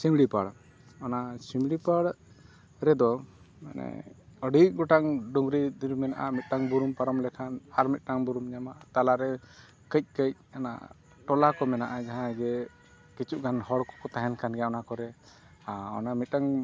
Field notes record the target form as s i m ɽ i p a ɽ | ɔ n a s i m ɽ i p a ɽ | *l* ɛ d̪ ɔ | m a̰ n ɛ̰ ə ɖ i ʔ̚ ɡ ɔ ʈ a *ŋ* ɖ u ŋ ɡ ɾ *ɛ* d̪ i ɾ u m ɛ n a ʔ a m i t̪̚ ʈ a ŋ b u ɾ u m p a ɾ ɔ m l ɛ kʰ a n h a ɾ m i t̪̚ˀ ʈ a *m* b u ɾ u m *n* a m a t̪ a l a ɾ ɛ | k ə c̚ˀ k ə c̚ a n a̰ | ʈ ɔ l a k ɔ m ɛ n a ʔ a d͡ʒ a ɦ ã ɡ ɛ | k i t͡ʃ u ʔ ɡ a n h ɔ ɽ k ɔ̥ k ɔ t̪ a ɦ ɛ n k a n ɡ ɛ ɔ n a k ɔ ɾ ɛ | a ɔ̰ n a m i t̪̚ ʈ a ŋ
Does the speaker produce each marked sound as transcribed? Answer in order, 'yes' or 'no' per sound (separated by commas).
no, yes, no, no, no